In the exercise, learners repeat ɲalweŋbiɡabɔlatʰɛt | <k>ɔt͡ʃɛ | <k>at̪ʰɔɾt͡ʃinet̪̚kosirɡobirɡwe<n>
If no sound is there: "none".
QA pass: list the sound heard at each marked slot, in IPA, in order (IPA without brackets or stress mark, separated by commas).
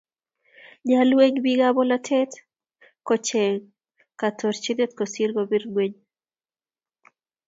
k, k, ɲ